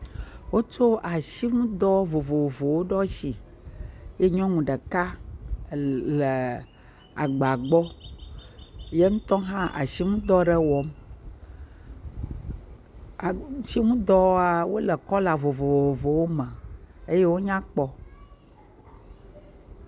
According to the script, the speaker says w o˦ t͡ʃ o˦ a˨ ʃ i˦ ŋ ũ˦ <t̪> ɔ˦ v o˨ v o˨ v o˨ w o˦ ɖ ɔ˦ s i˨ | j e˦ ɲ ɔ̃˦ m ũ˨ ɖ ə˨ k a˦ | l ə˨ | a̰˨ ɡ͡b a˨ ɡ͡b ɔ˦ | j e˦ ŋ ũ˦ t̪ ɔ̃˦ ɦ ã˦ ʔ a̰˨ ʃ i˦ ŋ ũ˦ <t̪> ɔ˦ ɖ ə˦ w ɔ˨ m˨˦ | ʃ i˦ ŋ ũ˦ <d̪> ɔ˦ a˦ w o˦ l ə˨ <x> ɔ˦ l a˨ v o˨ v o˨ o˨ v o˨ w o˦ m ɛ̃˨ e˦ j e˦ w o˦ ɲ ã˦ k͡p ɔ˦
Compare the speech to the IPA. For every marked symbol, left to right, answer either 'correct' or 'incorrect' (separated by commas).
incorrect, incorrect, correct, incorrect